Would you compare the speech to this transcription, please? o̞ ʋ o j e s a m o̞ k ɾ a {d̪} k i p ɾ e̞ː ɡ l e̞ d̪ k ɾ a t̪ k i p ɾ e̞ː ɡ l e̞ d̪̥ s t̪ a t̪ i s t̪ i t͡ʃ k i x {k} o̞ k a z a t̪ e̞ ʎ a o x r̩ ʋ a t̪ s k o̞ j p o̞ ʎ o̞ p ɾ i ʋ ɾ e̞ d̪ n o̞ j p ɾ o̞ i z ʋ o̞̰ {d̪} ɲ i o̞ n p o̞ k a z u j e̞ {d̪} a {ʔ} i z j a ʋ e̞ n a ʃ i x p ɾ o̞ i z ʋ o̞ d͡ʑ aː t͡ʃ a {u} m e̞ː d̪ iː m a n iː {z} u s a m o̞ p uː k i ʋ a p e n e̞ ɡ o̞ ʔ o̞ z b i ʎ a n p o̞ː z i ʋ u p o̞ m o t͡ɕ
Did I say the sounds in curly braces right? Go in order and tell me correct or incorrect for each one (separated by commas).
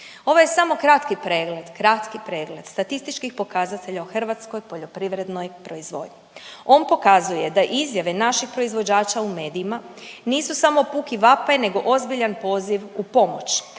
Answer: incorrect, incorrect, correct, correct, correct, correct, incorrect